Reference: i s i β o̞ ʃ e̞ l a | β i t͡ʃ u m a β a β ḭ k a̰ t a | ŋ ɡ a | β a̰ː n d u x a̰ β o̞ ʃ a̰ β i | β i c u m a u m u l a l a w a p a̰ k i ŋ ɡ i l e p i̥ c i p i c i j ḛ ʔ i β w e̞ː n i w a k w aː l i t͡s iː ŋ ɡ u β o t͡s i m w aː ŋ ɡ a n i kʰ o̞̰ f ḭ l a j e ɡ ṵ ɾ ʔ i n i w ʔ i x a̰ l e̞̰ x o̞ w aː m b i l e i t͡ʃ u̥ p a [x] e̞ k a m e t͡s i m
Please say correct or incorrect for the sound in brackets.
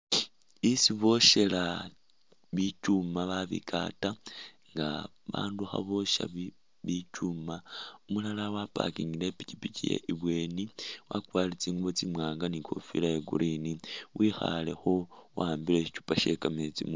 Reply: incorrect